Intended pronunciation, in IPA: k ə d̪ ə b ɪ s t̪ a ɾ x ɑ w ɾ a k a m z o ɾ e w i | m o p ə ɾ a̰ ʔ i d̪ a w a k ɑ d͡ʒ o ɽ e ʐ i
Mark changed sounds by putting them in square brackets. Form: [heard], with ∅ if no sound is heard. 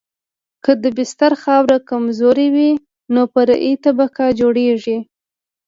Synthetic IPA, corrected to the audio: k ə d̪ ə b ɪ s t̪ a ɾ x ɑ w ɾ a k a m z o ɾ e w i | [n] o p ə ɾ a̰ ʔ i [t̪] a [b] a k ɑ d͡ʒ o ɽ e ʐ i